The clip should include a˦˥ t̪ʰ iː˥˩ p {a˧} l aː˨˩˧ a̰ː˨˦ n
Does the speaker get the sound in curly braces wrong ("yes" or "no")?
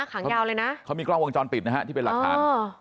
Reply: yes